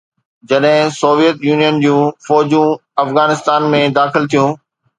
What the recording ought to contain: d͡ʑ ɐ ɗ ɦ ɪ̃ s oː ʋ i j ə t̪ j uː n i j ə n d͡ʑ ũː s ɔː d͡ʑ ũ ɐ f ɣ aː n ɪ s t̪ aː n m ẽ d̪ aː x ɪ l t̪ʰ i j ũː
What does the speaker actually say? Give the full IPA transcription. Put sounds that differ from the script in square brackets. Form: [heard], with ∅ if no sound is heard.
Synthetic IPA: d͡ʑ ɐ ɗ ɦ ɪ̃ s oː ʋ i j ə t̪ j uː n i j ə n d͡ʑ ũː [f] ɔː d͡ʑ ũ ɐ f ɣ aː n ɪ s t̪ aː n m ẽ d̪ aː x ɪ l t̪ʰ i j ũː